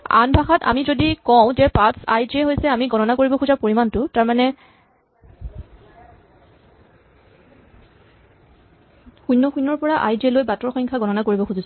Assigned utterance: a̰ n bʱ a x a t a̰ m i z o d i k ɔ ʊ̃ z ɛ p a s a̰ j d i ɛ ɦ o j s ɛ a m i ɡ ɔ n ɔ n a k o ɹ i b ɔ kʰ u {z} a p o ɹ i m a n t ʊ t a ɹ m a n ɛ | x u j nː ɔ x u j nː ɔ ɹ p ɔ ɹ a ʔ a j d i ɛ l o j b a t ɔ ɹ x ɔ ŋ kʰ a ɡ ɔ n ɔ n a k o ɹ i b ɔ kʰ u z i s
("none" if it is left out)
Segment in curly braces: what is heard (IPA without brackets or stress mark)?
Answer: z